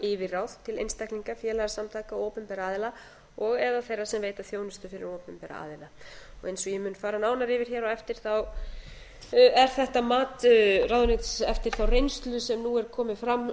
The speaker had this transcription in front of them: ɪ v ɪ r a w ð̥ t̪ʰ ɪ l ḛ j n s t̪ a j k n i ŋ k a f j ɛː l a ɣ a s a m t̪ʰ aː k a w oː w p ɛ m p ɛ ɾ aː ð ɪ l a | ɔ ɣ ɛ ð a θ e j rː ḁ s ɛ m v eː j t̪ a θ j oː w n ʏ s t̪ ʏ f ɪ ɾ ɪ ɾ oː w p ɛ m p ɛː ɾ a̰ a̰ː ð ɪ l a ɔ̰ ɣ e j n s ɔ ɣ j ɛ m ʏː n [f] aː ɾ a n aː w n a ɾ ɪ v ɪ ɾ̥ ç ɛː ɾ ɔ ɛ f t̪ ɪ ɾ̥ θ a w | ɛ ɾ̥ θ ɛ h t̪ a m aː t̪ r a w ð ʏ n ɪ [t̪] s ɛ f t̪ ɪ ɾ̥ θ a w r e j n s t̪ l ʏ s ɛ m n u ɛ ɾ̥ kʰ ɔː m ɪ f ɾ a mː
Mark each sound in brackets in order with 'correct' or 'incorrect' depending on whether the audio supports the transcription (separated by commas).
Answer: correct, correct